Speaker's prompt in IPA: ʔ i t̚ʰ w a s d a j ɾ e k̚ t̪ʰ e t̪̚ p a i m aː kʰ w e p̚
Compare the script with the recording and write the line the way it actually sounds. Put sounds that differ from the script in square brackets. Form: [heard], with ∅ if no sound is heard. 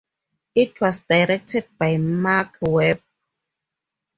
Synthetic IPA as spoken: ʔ i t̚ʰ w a s d a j ɾ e k̚ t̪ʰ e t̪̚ p a [j] m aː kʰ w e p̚